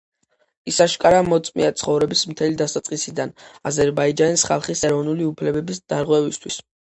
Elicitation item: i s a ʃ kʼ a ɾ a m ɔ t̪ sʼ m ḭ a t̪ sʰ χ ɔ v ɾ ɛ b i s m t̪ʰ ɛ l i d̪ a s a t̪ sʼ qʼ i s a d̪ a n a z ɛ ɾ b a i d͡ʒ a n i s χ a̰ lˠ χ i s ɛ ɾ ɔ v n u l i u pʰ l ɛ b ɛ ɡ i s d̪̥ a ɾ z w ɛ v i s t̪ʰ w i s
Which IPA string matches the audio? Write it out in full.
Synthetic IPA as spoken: i s a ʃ kʼ a ɾ a m ɔ t̪ sʼ m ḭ a t̪ sʰ χ ɔ v ɾ ɛ b i s m t̪ʰ ɛ l i d̪ a s a t̪ sʼ qʼ i s i d̪ a n a z ɛ ɾ b a i d͡ʒ a n i s χ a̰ lˠ χ i s ɛ ɾ ɔ v n u l i u pʰ l ɛ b ɛ b i s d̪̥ a ɾ ʁ w ɛ v i s t̪ʰ w i s